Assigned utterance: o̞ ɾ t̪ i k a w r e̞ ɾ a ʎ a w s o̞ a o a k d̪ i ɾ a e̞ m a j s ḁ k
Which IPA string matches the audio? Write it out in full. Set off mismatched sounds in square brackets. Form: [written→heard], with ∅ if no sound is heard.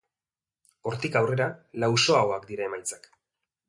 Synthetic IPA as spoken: o̞ ɾ t̪ i k a w r e̞ ɾ a [ʎ→l] a w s o̞ a o a k d̪ i ɾ a e̞ m a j [s→t͡s] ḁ k

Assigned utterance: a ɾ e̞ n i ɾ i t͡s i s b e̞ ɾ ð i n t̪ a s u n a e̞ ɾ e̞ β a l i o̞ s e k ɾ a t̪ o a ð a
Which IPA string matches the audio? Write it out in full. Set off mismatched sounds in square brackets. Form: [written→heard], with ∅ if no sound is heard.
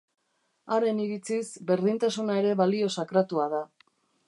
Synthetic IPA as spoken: a ɾ e̞ n i ɾ i t͡s i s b e̞ ɾ ð i n t̪ a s u n a e̞ ɾ e̞ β a l i o̞ s [e→a] k ɾ a t̪ [o→u] a ð a

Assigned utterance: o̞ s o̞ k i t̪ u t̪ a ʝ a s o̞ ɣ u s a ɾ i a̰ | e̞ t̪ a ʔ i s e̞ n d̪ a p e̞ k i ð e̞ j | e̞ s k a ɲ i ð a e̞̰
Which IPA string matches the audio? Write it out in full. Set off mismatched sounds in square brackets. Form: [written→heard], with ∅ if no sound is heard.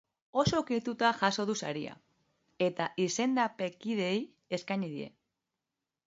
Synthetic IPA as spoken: o̞ s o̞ k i t̪ u t̪ a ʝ a s o̞ [ɣ→ð] u s a ɾ i a̰ | e̞ t̪ a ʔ i s e̞ n d̪ a p e̞ k i ð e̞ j | e̞ s k a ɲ i ð [a→i] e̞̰

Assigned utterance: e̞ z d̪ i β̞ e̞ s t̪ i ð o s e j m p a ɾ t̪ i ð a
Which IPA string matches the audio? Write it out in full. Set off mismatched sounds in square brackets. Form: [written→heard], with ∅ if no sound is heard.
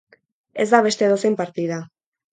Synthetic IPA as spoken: e̞ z d̪ [i→a] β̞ e̞ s t̪ [i→e] ð o s e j m p a ɾ t̪ i ð a

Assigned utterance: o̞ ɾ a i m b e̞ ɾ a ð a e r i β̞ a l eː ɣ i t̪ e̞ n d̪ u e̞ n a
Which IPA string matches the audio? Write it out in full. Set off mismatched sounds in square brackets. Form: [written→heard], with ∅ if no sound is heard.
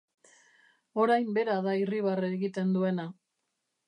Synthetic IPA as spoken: o̞ ɾ a [i→j] m b e̞ ɾ a ð a [e→i] r i β̞ a [l→r] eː ɣ i t̪ e̞ n d̪ u e̞ n a

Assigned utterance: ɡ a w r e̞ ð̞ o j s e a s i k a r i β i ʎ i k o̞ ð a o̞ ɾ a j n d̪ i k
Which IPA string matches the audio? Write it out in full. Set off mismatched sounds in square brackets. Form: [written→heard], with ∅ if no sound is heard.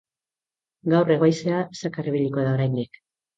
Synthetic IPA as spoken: ɡ a w r e̞ [ð̞→ɣ̞] o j s e a s [i→a] k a r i β i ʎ i k o̞ ð a o̞ ɾ a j n d̪ i k

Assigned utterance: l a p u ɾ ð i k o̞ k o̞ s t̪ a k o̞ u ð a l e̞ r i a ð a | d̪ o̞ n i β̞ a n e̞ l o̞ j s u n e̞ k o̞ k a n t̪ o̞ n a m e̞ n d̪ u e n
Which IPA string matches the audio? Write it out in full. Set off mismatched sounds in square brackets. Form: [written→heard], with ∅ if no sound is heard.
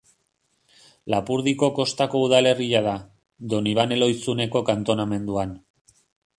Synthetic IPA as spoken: l a p u ɾ ð i k o̞ k o̞ s t̪ a k o̞ u ð a l e̞ r i a ð a | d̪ o̞ n i β̞ a n e̞ l o̞ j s u n e̞ k o̞ k a n t̪ o̞ n a m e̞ n d̪ u [e→a] n

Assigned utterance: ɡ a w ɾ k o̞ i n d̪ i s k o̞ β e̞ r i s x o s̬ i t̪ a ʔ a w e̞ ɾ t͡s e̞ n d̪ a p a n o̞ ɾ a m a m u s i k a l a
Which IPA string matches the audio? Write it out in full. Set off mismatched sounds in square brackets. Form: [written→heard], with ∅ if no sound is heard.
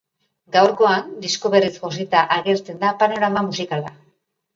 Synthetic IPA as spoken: ɡ a w ɾ k o̞ [i→a] n d̪ i s k o̞ β e̞ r i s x o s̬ i t̪ a ʔ a [w→ɣ] e̞ ɾ t͡s e̞ n d̪ a p a n o̞ ɾ a m a m u s i k a l a

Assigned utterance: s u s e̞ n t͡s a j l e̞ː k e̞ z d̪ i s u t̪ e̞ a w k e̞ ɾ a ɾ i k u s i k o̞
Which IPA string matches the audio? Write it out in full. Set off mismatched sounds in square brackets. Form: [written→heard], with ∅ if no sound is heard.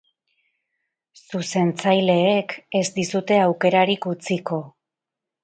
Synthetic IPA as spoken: s u s e̞ n t͡s a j l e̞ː k e̞ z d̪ i s u t̪ e̞ a w k e̞ ɾ a ɾ i k u [s→t͡s] i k o̞

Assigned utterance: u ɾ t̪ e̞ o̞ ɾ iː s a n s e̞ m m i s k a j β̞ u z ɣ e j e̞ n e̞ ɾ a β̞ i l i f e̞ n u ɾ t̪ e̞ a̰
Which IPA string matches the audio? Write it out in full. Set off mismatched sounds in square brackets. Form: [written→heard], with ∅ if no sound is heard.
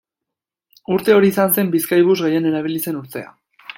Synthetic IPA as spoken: u ɾ t̪ e̞ o̞ ɾ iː s a n s e̞ m [m→b] i s k a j β̞ u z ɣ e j e̞ n e̞ ɾ a β̞ i l i [f→s] e̞ n u ɾ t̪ e̞ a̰

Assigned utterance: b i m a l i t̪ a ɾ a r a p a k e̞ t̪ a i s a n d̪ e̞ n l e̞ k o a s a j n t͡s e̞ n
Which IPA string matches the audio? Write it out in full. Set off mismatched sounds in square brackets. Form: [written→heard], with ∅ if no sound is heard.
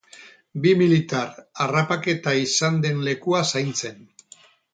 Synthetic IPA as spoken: b i m [a→i] l i t̪ a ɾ a r a p a k e̞ t̪ a i s a n d̪ e̞ n l e̞ k [o→u] a s a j n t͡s e̞ n

